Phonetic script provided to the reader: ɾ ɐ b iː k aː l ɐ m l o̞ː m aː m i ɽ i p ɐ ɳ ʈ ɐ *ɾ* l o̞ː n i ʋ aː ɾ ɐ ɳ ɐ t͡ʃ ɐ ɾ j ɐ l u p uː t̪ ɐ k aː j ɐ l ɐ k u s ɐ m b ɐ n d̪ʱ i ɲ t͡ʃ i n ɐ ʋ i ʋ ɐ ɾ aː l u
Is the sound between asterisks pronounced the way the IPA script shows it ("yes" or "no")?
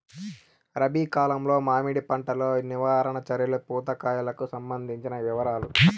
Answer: no